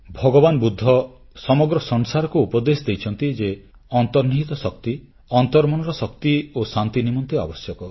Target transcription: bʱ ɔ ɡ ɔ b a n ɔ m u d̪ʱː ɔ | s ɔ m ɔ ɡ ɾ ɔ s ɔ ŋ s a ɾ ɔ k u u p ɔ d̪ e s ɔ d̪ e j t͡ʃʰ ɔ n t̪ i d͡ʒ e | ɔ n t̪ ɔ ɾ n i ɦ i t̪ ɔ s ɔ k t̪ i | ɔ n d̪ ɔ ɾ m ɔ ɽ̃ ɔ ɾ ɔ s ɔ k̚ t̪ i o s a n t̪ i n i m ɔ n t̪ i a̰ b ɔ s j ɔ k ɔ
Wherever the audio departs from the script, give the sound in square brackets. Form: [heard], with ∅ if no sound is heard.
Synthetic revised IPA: bʱ ɔ ɡ ɔ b a n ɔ [b] u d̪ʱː ɔ | s ɔ m ɔ ɡ ɾ ɔ s ɔ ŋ s a ɾ ɔ k u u p ɔ d̪ e s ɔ d̪ e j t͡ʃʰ ɔ n t̪ i d͡ʒ e | ɔ n t̪ ɔ ɾ n i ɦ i t̪ ɔ s ɔ k t̪ i | ɔ n [t̪] ɔ ɾ m ɔ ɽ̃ ɔ ɾ ɔ s ɔ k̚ t̪ i o s a n t̪ i n i m ɔ n t̪ i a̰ b ɔ s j ɔ k ɔ